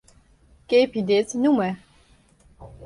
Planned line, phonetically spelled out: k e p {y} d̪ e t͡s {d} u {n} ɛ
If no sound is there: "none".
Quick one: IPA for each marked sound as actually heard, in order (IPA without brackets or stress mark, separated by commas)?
i, n, m